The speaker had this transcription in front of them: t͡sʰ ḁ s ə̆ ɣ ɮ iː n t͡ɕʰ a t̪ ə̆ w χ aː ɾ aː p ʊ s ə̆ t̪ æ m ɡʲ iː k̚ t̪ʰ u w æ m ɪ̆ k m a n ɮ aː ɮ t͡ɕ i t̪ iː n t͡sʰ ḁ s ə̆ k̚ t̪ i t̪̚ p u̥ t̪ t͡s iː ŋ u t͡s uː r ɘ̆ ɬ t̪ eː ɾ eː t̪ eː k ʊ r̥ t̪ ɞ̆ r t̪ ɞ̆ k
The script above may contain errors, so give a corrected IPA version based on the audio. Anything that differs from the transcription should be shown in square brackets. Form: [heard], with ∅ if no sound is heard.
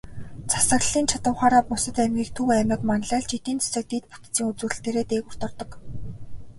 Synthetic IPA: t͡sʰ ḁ s ə̆ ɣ ɮ iː n t͡ɕʰ a t̪ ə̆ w χ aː ɾ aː p ʊ s ə̆ t̪ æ m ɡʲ iː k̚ t̪ʰ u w æ m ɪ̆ k m a n ɮ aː ɮ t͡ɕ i t̪ iː n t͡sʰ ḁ s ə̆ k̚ t̪ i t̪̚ p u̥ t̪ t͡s iː ŋ u t͡s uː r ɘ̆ ɬ t̪ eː ɾ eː t̪ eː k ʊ r̥ t̪ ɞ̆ r t̪ ɞ̆ k